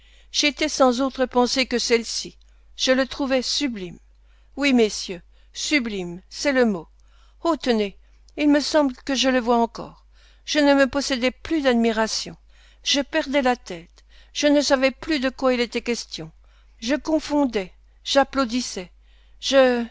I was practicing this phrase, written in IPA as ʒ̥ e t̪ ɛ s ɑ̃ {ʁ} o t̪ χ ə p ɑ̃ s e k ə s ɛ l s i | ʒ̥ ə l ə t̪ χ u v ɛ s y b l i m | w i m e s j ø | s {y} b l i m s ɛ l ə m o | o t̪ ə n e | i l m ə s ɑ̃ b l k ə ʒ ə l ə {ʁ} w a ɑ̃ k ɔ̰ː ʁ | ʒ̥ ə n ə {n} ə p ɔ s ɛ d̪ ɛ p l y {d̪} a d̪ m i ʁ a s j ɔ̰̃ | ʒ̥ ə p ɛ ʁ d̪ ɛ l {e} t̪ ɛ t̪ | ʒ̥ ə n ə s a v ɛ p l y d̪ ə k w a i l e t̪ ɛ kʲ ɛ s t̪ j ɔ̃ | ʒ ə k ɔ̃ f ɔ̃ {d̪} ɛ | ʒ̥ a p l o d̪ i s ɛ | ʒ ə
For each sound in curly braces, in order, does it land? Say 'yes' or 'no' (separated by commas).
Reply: no, yes, no, no, yes, no, yes